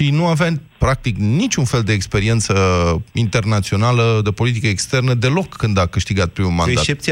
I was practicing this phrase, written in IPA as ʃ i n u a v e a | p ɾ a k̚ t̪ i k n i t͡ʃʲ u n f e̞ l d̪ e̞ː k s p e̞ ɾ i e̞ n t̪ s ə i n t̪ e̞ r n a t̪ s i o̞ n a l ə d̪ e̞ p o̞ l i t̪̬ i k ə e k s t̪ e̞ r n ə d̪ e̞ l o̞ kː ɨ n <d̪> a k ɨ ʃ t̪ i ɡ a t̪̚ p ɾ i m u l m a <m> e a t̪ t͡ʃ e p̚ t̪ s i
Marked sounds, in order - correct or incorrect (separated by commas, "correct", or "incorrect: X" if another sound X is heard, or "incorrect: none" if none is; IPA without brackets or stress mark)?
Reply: correct, incorrect: n